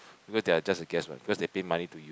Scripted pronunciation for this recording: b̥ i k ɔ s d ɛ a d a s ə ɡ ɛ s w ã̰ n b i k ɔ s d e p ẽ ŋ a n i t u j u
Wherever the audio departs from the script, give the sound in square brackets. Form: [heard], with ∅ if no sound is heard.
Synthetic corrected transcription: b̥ i k ɔ s d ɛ a [d͡ʒ] a s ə ɡ ɛ s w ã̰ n b i k ɔ s d e p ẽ [m] a n i t u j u